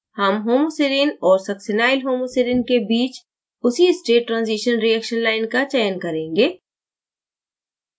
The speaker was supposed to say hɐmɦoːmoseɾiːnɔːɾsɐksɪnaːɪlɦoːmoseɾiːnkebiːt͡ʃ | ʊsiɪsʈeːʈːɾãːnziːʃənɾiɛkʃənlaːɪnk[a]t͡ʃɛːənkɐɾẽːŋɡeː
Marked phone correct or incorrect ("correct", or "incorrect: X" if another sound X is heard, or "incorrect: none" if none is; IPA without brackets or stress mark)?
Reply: correct